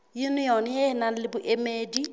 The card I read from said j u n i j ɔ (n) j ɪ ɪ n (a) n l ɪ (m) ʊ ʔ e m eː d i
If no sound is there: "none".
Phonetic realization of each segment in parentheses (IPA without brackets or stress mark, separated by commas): n, a, b